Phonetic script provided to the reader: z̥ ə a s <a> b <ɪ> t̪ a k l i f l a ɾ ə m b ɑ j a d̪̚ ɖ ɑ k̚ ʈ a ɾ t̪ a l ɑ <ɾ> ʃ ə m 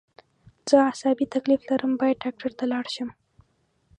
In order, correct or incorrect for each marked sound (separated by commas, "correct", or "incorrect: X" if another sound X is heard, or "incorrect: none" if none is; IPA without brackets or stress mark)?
incorrect: ɑ, incorrect: i, incorrect: ɽ